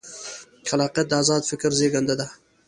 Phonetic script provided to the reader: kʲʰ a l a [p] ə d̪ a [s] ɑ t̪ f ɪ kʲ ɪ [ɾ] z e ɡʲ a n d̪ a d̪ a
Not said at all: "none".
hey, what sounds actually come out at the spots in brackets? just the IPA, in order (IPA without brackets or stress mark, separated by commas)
q, z, ɾ